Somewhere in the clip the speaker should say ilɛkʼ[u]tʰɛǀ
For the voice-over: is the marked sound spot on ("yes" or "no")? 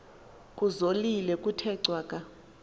yes